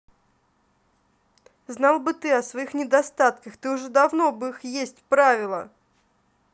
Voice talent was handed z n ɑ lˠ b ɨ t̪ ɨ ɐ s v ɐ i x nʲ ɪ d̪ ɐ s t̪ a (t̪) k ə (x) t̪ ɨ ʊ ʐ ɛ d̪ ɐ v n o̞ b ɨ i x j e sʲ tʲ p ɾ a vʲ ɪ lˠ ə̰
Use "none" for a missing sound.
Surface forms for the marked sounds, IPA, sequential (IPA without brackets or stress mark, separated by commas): t̪, x